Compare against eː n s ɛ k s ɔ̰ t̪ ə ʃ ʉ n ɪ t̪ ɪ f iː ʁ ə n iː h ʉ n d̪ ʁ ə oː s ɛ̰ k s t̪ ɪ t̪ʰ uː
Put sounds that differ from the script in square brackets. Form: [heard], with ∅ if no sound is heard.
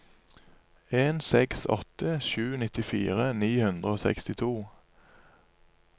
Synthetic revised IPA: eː n s ɛ k s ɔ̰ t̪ ə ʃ [ʉː] n ɪ t̪ ɪ f iː ʁ ə n iː h ʉ n d̪ ʁ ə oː s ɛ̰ k s t̪ ɪ t̪ʰ uː